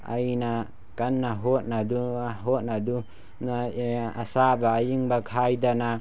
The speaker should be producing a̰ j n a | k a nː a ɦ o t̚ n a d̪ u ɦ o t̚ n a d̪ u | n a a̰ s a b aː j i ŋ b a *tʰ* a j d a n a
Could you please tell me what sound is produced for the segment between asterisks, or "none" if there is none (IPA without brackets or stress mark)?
kʰ